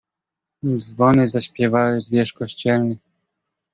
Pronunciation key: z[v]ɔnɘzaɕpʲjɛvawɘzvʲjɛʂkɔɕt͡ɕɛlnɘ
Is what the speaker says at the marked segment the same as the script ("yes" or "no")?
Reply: yes